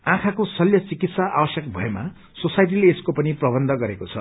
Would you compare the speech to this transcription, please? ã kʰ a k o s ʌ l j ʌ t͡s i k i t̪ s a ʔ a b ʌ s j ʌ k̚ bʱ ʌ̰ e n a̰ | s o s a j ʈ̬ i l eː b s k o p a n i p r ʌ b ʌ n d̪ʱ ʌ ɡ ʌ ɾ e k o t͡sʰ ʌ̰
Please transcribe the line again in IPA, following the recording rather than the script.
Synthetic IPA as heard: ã kʰ a k o s ʌ l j ʌ t͡s i k i t̪ s a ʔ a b ʌ s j ʌ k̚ bʱ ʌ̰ e m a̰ | s o s a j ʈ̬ i l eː s k o p ʌ n i p r ʌ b ʌ n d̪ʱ ʌ ɡ ʌ ɾ e k o t͡sʰ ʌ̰